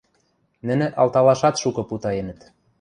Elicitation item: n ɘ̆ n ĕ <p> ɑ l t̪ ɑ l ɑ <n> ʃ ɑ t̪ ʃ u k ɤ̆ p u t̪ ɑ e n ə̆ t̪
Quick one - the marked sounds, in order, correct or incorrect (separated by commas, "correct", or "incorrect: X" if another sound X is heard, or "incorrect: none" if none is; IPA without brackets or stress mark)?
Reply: incorrect: ʔ, incorrect: none